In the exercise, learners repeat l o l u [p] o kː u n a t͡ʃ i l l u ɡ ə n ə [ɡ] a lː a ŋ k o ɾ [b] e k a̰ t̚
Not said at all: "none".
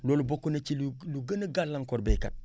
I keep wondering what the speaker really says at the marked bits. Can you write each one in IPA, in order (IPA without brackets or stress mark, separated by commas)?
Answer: b, ɡ, b